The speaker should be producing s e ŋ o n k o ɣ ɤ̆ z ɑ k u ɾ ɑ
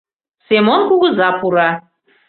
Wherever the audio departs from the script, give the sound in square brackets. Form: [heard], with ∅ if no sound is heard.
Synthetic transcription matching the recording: s e [m] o n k [u] ɣ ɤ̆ z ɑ [p] u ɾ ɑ